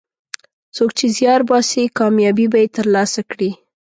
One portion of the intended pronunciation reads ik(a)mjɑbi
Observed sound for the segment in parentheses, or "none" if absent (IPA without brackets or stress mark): ɑ